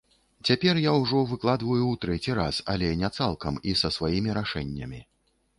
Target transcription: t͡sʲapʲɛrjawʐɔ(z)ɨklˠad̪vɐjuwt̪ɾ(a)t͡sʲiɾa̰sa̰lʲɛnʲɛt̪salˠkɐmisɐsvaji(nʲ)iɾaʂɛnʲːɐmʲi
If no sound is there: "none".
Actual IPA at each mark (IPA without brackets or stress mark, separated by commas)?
v, ɛ, mʲ